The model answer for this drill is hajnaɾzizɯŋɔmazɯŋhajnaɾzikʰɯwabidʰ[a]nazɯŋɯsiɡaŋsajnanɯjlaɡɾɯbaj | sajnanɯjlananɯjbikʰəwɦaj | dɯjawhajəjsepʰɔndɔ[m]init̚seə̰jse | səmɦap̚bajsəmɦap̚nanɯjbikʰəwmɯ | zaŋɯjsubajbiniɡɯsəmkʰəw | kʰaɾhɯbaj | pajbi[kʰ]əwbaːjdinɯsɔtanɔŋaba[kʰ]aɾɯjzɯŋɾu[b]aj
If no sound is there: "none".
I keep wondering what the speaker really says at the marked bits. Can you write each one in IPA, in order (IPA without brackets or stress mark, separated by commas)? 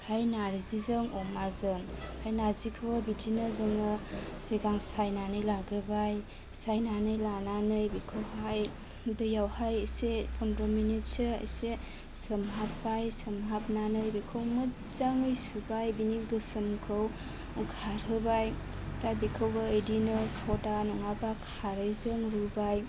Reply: i, m, kʰ, kʰ, b